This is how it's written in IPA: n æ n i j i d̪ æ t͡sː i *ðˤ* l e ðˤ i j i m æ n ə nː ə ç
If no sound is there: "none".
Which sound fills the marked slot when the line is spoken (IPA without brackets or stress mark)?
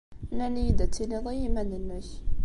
none